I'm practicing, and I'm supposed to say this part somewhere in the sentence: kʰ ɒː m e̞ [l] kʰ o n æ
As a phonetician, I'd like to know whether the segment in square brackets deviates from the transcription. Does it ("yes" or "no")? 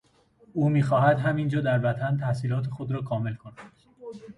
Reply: no